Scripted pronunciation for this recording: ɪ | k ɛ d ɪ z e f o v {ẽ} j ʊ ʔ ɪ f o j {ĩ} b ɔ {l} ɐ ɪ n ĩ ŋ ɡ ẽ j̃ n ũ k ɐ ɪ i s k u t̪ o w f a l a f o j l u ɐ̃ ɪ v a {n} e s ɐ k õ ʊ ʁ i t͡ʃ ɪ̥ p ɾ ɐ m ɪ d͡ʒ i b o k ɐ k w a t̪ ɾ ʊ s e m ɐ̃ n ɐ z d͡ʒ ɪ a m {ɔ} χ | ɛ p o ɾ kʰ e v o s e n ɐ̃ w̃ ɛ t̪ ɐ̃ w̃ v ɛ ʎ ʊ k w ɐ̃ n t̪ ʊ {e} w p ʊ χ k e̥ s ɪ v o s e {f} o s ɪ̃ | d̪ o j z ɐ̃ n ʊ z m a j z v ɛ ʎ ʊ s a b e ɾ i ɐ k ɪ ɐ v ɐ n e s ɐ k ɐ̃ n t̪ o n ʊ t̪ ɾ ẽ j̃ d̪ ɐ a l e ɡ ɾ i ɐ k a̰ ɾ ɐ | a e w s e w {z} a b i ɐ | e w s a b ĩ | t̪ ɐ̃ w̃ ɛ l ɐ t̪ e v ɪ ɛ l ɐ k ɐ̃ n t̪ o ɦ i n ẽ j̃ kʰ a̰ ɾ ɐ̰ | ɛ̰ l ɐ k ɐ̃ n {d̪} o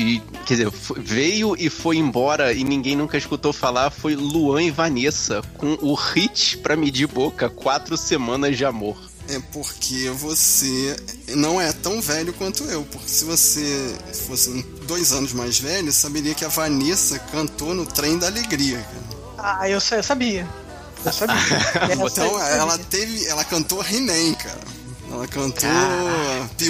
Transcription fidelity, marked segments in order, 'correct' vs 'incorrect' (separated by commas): incorrect, incorrect, incorrect, correct, incorrect, correct, correct, incorrect, incorrect